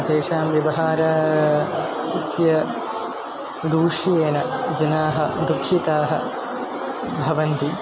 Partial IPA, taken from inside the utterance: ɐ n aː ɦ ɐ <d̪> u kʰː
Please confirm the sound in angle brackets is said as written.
yes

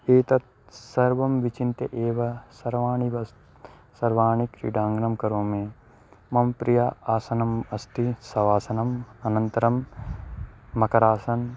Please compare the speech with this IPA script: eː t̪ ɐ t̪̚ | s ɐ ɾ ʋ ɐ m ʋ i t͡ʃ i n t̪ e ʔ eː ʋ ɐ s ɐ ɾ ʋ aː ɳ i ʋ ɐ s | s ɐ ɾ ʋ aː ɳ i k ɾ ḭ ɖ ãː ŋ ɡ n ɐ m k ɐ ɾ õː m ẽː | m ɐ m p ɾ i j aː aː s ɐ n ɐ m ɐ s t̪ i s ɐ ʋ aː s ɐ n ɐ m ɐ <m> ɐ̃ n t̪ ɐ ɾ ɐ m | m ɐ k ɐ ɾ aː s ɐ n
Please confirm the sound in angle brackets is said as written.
no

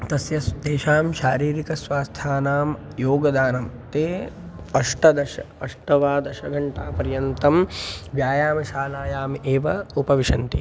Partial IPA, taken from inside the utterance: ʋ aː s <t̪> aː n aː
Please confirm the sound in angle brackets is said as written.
no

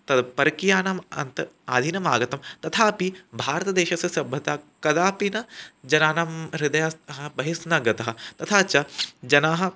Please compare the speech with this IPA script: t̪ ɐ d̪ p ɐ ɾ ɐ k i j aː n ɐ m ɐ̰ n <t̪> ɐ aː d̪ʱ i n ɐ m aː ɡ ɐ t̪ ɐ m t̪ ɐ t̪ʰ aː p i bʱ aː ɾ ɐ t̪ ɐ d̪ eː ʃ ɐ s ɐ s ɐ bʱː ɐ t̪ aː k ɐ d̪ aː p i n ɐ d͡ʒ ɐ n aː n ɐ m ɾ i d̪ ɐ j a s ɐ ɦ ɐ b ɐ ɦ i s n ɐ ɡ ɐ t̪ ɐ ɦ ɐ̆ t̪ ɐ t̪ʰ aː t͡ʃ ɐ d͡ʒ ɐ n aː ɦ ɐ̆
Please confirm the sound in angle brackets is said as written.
yes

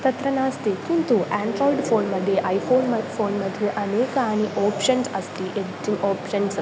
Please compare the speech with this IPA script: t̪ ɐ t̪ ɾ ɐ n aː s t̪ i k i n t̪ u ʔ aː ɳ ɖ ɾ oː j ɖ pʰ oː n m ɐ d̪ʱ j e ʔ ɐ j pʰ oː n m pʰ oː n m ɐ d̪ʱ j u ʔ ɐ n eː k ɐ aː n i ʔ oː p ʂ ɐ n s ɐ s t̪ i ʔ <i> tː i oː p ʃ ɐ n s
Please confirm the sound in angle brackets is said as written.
no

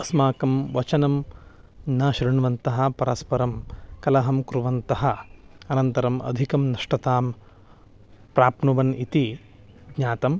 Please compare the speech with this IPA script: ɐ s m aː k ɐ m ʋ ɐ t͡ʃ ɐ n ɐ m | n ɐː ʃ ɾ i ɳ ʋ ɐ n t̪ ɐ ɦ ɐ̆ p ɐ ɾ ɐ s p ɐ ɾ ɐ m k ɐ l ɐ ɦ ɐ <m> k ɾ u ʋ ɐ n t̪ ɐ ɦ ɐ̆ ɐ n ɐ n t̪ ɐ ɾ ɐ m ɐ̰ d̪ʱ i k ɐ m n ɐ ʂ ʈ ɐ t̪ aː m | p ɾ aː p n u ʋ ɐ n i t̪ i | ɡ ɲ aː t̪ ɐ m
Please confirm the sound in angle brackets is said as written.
yes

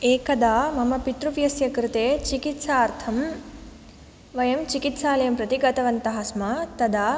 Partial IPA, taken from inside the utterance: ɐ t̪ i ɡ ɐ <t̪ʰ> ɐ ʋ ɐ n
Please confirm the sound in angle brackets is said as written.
no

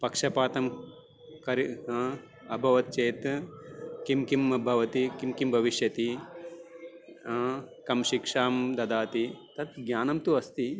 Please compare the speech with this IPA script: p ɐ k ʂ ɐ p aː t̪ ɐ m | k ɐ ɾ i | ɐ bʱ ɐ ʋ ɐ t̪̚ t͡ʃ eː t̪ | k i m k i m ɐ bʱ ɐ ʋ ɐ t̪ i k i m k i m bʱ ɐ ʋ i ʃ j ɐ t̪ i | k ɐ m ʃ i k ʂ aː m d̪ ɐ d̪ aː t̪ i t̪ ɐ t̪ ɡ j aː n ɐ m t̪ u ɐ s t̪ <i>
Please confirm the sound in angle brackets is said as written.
yes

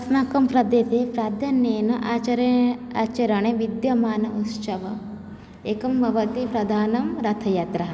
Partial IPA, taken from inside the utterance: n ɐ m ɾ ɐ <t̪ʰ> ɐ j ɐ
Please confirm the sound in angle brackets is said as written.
yes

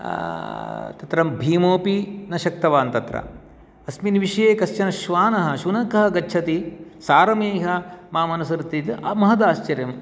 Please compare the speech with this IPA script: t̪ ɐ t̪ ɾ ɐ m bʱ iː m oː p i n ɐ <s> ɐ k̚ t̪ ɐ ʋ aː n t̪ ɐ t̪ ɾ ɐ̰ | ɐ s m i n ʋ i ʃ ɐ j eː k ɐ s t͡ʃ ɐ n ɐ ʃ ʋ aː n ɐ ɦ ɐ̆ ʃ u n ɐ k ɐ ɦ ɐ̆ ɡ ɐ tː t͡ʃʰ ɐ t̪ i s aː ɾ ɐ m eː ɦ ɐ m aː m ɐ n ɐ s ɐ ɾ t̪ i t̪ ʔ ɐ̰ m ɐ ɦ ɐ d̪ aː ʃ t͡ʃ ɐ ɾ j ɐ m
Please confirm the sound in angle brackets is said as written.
no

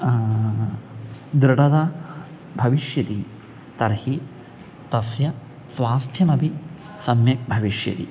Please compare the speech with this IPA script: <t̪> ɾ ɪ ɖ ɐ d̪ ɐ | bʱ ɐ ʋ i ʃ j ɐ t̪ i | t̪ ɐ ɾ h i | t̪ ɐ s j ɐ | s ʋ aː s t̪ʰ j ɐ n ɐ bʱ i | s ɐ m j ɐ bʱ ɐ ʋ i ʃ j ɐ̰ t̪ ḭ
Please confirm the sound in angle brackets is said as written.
no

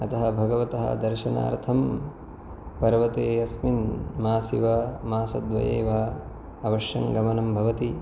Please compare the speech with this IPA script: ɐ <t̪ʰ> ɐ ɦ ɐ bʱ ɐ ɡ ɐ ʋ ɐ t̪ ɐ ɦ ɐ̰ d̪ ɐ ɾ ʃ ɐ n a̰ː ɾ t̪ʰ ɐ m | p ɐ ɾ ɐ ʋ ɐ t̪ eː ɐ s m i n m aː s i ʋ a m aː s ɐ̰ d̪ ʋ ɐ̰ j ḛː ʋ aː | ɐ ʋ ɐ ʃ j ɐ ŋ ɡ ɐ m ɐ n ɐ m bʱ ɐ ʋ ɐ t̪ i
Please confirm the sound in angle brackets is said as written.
no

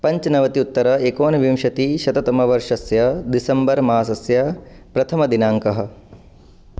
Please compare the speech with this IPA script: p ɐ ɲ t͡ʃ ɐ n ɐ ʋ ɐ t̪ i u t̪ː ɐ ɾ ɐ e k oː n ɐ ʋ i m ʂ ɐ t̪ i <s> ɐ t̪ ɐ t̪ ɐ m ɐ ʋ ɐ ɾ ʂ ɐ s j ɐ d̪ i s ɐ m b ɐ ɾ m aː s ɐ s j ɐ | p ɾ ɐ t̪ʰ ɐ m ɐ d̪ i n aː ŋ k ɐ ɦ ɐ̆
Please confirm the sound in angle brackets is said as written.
no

